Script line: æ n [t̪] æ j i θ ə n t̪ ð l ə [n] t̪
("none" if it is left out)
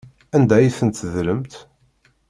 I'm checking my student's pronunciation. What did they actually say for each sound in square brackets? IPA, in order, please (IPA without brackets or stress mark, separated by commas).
d̪, m